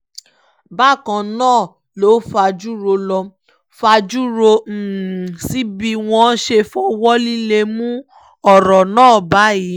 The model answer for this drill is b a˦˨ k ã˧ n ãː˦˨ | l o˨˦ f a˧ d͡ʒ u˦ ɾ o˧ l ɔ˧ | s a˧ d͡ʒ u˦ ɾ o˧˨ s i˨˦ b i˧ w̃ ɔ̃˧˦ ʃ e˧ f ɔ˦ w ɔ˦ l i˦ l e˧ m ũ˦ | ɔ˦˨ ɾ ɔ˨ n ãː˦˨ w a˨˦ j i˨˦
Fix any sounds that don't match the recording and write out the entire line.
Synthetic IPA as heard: b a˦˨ k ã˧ n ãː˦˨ | l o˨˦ f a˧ d͡ʒ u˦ ɾ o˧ l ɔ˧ | f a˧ d͡ʒ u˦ ɾ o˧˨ s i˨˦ b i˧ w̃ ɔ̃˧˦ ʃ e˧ f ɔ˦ w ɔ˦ l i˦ l e˧ m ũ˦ | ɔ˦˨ ɾ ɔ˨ n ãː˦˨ b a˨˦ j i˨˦